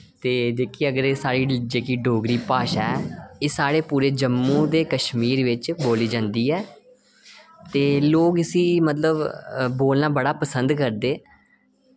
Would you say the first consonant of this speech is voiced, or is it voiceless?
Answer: voiceless